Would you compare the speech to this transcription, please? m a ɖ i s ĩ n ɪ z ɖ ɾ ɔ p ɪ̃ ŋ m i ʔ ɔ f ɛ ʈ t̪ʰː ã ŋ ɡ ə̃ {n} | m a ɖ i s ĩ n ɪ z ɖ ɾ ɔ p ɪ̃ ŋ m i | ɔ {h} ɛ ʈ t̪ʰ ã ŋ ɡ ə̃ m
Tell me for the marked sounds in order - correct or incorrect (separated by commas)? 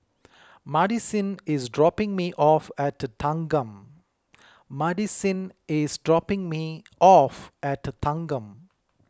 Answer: incorrect, incorrect